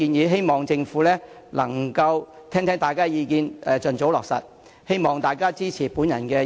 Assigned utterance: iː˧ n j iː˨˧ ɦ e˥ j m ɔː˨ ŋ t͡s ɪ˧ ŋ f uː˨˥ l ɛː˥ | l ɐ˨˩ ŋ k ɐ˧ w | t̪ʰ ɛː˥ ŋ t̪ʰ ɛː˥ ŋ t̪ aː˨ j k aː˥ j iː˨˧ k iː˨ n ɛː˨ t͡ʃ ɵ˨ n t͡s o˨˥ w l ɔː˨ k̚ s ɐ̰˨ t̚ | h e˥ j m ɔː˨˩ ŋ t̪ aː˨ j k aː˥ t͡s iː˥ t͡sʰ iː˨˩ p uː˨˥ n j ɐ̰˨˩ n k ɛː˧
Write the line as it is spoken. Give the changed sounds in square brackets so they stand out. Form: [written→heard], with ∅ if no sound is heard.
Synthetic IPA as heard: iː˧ n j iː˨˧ ɦ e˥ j m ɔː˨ ŋ t͡s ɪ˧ ŋ f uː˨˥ l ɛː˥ | l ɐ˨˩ ŋ k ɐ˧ w | t̪ʰ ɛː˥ ŋ t̪ʰ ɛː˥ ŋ t̪ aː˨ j k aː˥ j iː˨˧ k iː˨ n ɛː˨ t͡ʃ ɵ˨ n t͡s o˨˥ w l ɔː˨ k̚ s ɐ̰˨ t̚ | h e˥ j m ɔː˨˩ ŋ t̪ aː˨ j k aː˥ t͡s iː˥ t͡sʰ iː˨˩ p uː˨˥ n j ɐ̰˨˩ n k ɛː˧